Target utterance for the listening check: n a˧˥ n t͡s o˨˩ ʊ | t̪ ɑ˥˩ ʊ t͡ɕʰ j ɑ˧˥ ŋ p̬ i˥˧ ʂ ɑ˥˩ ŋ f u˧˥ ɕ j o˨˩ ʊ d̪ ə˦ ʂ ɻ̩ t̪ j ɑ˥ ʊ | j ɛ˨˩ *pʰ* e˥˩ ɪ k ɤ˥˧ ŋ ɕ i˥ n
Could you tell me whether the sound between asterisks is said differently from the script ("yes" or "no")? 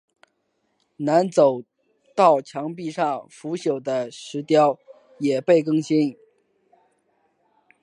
yes